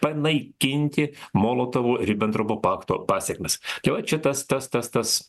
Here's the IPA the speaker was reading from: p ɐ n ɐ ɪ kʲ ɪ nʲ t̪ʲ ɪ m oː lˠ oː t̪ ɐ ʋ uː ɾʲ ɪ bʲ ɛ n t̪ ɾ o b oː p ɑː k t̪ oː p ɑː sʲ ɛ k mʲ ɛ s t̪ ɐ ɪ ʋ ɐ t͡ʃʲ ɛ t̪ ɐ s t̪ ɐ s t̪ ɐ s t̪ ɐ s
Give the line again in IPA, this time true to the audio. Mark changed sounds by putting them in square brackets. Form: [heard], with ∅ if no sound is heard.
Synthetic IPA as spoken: p ɐ n ɐ ɪ kʲ ɪ nʲ t̪ʲ ɪ m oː lˠ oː t̪ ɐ ʋ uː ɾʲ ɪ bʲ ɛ n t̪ ɾ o b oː p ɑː k t̪ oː p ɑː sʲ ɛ k mʲ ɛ s t̪ ɐ ɪ ʋ ɐ t͡ʃʲ ɛ t̪ ɐ s t̪ ɐ s t̪ ɐ s t̪ ɐ s